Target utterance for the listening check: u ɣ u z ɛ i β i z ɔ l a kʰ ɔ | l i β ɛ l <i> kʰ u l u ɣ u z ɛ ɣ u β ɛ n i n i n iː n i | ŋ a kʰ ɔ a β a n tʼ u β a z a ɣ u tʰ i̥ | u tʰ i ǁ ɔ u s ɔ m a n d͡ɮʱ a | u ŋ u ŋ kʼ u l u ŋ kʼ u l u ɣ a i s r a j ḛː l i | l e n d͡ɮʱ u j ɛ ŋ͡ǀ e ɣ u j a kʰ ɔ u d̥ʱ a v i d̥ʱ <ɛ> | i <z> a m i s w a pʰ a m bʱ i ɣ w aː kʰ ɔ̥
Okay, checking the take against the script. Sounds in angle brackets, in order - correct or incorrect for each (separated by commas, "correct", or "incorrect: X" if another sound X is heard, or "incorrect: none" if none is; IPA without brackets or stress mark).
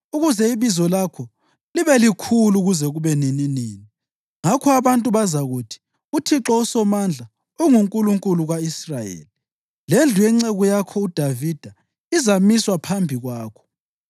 correct, incorrect: a, correct